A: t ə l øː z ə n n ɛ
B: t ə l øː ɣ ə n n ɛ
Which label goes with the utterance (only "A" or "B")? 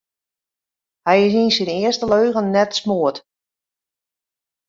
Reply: B